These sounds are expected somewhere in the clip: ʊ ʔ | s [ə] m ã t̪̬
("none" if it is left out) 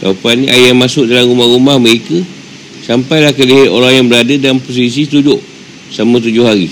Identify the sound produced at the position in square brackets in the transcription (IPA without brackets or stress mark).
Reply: a